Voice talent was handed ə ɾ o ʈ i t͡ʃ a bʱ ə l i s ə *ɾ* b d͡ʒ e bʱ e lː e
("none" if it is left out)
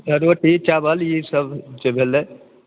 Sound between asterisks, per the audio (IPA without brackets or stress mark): none